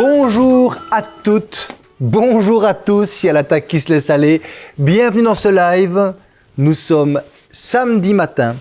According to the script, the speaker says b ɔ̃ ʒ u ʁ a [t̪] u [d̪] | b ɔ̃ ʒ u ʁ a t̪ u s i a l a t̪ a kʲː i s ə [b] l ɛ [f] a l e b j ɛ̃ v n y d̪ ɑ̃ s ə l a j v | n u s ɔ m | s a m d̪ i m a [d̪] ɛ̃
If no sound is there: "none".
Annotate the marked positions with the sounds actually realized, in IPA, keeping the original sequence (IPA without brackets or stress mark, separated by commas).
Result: t̪, t̪, none, s, t̪